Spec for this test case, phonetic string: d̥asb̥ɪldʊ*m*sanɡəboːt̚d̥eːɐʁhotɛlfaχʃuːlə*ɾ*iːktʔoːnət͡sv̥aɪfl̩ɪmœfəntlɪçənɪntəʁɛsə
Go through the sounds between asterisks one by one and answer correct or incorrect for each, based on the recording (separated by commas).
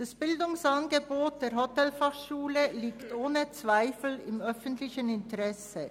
incorrect, incorrect